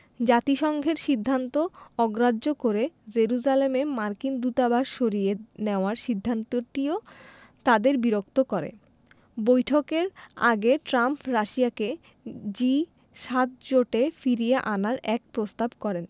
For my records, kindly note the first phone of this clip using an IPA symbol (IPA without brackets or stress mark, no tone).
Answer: d͡ʑ